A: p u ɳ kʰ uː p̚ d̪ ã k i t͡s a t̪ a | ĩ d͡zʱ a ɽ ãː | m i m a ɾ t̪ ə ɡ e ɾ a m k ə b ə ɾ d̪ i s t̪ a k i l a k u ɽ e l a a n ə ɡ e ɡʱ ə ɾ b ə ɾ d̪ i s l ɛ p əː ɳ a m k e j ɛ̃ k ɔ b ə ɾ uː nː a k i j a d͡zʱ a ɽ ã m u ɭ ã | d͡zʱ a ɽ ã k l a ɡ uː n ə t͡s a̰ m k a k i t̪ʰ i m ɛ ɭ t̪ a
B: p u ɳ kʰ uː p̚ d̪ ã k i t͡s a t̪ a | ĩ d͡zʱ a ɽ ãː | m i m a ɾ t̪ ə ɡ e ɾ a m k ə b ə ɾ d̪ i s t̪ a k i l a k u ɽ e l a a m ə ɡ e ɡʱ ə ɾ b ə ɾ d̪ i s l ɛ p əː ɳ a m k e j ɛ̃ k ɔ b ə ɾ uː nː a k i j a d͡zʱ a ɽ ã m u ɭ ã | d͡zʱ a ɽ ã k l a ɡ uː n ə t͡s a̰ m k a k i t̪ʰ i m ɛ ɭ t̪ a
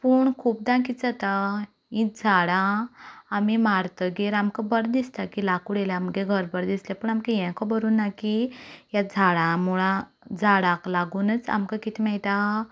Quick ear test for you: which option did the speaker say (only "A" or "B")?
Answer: B